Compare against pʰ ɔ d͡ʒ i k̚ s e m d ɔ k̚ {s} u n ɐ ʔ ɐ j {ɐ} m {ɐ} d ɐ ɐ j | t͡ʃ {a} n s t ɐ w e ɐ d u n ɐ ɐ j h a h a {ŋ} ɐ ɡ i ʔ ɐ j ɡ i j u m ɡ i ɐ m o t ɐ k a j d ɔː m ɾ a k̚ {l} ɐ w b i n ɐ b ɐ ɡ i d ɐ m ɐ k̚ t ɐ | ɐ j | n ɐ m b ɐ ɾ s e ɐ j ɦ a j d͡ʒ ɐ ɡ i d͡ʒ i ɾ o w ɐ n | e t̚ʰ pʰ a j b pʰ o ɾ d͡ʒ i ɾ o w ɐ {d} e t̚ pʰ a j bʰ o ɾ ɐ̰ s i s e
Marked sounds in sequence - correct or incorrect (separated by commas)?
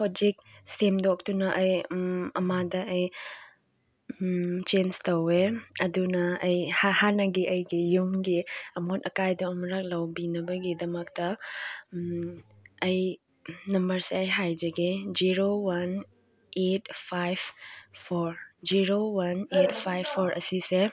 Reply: incorrect, correct, incorrect, incorrect, incorrect, correct, incorrect